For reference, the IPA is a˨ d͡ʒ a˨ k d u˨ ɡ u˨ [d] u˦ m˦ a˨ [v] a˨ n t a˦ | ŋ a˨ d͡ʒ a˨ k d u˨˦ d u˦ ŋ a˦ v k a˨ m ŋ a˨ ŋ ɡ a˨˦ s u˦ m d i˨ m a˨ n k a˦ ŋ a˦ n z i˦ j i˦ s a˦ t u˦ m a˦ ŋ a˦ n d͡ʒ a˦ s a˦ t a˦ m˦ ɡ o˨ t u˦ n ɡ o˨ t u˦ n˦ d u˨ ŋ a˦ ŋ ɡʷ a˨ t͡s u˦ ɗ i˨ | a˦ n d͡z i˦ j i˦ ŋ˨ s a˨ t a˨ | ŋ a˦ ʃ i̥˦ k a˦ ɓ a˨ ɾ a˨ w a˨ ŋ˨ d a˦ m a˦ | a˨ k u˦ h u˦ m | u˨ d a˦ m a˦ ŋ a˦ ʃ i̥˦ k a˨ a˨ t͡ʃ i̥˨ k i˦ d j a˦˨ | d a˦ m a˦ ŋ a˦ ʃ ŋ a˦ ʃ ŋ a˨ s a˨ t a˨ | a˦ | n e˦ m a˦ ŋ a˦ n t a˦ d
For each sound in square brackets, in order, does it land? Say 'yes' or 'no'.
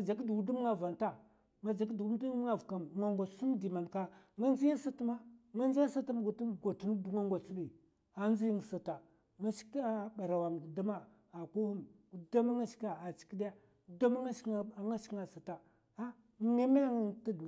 yes, yes

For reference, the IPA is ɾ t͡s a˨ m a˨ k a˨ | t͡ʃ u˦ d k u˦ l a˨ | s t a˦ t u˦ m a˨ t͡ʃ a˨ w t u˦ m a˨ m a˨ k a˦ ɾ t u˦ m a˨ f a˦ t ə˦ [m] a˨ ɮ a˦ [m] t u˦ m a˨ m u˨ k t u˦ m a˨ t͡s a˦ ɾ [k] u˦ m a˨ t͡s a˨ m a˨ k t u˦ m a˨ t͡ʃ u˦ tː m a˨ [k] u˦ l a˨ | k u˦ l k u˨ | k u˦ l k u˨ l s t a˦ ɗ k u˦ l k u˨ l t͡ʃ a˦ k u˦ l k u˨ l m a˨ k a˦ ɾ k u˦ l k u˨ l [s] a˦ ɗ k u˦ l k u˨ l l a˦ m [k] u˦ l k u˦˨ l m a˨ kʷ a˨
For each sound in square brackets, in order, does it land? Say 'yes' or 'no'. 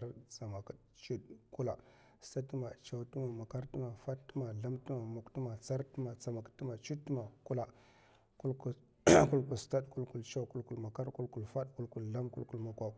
yes, yes, no, yes, no, yes

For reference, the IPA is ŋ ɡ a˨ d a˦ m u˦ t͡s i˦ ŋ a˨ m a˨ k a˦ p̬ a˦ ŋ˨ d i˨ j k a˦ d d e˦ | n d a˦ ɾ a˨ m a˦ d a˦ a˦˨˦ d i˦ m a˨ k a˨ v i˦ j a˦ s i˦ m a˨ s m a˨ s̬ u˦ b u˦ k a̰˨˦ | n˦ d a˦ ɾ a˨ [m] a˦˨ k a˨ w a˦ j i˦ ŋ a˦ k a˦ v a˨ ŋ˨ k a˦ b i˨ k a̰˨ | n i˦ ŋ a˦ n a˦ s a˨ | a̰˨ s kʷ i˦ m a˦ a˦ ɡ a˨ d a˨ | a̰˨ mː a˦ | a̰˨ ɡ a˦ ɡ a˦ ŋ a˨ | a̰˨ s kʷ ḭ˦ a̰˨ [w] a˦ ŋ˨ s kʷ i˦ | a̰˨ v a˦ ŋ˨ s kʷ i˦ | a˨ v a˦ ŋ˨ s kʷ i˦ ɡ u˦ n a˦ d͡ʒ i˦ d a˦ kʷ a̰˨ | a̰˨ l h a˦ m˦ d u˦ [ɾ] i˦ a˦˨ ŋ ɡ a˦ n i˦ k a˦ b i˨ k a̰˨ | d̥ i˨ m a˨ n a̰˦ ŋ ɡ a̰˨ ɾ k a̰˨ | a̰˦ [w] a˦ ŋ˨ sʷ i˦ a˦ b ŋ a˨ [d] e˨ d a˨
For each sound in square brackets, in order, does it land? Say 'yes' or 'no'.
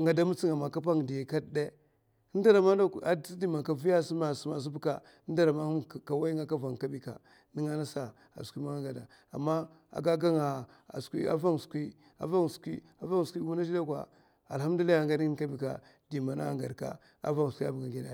yes, no, no, no, no

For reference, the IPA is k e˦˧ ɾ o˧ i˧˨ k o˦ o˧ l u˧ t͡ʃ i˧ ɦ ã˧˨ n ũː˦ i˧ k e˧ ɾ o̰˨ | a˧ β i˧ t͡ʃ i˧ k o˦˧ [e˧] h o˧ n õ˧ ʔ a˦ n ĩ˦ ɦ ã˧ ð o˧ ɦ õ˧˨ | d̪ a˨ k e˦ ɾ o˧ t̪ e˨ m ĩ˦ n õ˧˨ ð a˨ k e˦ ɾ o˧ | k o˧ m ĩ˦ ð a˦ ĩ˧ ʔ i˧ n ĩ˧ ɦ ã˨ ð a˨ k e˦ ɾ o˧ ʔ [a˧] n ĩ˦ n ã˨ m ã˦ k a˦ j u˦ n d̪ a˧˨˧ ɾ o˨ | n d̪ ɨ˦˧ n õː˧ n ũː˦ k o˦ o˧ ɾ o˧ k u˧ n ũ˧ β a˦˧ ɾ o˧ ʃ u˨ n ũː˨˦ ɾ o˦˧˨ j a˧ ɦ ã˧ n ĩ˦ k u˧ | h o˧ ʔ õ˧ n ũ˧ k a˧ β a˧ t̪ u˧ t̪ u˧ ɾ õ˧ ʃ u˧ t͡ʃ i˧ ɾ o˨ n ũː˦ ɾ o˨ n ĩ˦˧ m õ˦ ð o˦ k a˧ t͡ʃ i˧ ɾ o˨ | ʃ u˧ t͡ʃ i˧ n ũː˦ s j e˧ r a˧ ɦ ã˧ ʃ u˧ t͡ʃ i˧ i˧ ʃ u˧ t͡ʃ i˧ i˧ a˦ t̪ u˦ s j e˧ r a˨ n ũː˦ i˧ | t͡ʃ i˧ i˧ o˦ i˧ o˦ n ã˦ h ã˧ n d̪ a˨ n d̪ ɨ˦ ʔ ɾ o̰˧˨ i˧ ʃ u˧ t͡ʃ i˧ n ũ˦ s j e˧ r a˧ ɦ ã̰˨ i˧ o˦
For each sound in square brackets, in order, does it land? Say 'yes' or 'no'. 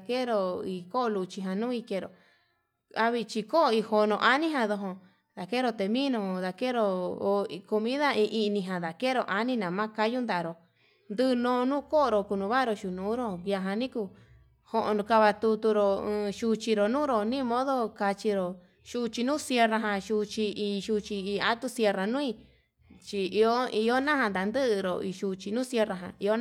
no, yes

